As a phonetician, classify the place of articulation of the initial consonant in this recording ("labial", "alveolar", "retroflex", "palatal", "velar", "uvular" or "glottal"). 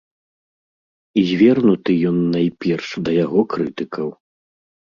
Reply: alveolar